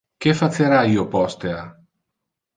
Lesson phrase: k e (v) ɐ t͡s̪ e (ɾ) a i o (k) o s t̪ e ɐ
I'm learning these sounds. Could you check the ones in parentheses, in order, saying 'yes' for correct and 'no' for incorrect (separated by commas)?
no, yes, no